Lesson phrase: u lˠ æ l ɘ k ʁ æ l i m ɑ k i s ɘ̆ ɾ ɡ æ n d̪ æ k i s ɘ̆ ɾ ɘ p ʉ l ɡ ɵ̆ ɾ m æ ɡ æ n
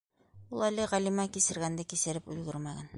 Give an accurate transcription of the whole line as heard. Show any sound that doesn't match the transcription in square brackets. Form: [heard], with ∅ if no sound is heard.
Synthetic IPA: u lˠ æ l ɘ [∅] ʁ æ l i m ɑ k i s ɘ̆ ɾ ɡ æ n d̪ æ k i s ɘ̆ ɾ ɘ p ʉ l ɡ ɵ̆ ɾ m æ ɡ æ n